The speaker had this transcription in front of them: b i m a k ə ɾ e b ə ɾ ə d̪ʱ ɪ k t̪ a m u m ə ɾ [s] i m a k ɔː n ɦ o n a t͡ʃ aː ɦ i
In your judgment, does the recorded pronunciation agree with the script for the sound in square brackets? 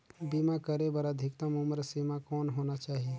yes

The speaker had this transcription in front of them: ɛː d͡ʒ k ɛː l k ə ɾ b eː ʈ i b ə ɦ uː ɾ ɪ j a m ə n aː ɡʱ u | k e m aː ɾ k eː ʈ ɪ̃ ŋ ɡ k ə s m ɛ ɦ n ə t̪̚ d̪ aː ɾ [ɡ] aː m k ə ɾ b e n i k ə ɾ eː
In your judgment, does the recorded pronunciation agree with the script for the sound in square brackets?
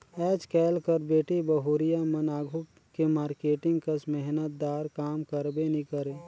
no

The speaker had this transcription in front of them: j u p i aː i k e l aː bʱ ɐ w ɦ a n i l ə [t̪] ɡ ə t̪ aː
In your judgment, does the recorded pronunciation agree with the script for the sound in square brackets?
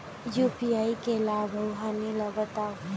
no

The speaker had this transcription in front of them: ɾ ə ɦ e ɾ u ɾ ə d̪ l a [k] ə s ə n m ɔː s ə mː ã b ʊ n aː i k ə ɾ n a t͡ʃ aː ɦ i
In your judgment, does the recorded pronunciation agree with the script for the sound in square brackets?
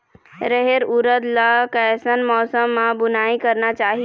yes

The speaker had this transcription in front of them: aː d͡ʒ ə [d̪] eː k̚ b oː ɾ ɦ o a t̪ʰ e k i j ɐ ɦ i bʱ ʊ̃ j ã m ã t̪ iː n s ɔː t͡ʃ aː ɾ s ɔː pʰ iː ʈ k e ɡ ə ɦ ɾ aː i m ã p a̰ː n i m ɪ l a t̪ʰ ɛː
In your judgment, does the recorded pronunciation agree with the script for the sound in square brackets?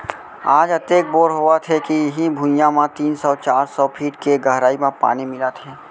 no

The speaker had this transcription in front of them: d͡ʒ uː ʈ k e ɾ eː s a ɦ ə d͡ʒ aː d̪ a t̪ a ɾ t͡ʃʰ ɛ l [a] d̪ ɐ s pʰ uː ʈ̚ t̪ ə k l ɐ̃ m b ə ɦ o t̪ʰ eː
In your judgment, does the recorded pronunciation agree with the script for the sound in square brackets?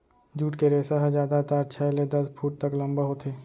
no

